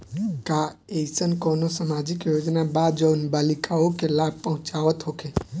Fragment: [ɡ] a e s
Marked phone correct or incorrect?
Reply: incorrect